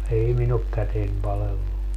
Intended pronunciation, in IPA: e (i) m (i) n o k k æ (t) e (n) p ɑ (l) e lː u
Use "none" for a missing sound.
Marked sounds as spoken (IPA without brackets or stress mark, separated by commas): i, i, t, n, l